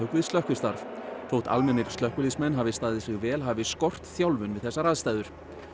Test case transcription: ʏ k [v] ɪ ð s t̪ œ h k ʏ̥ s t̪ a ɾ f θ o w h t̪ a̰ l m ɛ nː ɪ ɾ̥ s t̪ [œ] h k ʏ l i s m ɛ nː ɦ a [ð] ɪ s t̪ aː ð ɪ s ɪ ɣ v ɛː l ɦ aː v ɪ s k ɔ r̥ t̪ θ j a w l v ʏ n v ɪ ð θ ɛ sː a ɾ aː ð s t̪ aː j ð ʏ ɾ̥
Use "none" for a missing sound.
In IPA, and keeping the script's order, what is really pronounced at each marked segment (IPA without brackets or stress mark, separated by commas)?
v, œ, v